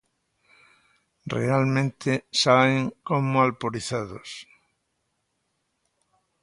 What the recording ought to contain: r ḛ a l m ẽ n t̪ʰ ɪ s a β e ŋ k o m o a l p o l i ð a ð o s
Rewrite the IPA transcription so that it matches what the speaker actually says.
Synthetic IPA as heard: r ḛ a l m ẽ n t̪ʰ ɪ s a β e ŋ k o m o a l p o ɾ i θ a ð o s